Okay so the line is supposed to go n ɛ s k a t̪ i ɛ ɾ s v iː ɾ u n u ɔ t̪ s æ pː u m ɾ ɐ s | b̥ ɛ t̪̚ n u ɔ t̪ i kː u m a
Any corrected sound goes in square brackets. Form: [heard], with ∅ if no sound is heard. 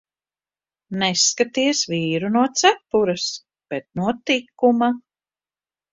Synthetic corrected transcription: n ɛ s k a t̪ i ɛ [∅] s v iː ɾ u n u ɔ t̪ s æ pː u [∅] ɾ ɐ s | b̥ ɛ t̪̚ n u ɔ t̪ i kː u m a